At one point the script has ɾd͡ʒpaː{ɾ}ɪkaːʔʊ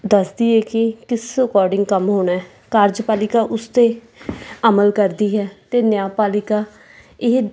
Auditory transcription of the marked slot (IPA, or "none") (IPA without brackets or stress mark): l